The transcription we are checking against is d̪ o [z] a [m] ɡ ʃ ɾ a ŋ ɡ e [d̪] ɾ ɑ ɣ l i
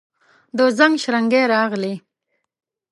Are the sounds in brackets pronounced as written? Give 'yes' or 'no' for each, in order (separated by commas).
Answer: yes, no, no